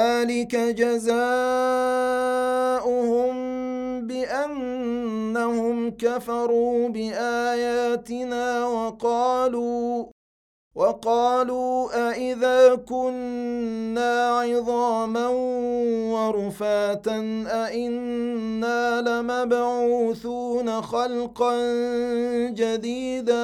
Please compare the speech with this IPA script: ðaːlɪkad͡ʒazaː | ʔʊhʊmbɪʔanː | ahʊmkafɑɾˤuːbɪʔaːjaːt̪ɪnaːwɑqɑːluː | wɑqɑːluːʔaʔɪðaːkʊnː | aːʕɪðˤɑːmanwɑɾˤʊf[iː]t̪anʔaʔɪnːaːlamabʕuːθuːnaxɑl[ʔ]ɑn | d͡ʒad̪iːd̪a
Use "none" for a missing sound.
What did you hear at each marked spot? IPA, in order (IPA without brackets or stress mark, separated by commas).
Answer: aː, q